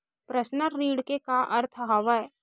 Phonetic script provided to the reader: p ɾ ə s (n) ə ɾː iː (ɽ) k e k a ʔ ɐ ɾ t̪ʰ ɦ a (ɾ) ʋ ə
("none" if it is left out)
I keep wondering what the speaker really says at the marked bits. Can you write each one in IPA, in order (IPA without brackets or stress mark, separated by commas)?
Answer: n, ɽ, none